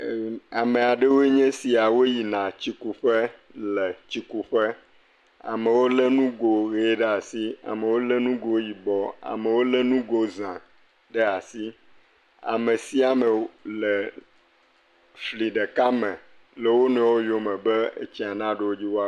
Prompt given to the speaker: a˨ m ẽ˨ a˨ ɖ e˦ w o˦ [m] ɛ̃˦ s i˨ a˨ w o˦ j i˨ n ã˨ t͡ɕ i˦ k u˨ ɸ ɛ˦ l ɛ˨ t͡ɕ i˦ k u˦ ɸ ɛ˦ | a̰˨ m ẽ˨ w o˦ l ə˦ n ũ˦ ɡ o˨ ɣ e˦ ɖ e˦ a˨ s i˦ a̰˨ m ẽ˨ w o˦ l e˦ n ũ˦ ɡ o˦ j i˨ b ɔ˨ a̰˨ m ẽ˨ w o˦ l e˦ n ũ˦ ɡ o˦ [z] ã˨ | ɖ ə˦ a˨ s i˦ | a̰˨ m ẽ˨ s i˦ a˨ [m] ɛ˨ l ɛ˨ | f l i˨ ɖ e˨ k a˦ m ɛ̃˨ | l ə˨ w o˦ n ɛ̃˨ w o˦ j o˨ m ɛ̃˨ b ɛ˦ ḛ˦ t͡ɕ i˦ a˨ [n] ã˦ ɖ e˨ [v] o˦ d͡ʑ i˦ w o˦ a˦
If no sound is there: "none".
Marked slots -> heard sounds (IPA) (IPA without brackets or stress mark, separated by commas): ɲ, z, m, n, w